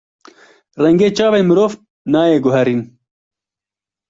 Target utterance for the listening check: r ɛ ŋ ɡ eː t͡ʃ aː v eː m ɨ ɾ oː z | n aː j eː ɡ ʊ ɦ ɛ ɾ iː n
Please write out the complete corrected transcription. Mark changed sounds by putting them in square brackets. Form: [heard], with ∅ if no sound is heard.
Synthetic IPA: r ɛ ŋ ɡ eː t͡ʃ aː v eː m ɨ ɾ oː [v] | n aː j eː ɡ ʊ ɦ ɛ ɾ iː n